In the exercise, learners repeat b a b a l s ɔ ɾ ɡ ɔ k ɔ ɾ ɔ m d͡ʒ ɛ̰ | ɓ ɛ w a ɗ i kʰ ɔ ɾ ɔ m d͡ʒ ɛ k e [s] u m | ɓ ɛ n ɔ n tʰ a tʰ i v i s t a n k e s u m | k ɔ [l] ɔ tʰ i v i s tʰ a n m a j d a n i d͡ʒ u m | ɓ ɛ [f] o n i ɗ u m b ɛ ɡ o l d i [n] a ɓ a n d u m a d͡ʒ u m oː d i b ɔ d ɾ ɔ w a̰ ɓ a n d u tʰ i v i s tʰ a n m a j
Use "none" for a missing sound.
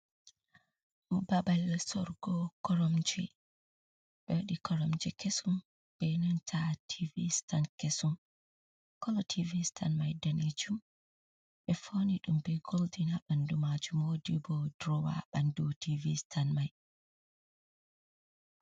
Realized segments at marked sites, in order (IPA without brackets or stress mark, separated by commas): s, l, f, n